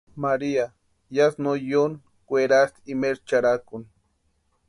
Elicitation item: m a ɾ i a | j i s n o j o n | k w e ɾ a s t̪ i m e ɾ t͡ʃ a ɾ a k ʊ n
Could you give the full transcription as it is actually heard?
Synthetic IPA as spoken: m a ɾ i a | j a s n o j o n | k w e ɾ a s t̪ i m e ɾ t͡ʃ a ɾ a k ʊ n